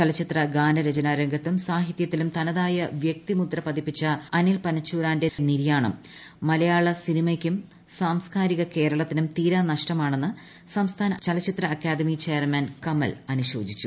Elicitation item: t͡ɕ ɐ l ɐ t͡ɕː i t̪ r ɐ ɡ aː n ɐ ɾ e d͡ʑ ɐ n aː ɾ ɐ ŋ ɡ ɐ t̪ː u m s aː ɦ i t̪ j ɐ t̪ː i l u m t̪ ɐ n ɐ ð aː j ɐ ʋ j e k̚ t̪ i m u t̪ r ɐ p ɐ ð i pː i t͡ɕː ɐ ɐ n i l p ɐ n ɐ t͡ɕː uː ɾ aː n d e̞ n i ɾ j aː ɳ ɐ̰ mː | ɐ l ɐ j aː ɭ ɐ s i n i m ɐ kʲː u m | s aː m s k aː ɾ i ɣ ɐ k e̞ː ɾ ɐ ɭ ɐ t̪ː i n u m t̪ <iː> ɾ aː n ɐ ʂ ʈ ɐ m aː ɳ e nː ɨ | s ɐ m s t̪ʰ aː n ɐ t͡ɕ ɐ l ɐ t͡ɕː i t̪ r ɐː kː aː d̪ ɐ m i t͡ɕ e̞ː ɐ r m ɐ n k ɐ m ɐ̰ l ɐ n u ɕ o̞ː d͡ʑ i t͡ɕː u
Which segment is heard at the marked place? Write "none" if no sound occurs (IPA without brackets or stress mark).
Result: iː